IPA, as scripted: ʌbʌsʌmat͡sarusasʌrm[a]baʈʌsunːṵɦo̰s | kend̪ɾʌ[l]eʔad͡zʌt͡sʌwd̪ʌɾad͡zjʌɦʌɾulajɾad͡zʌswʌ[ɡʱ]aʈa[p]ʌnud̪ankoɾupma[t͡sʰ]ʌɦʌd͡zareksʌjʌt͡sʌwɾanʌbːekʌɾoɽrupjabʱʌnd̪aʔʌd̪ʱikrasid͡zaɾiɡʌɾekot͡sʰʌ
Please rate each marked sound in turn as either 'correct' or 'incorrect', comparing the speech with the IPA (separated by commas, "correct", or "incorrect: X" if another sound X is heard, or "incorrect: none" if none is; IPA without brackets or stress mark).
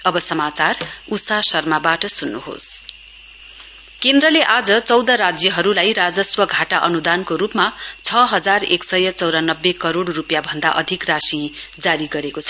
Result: correct, correct, correct, incorrect: ʔ, correct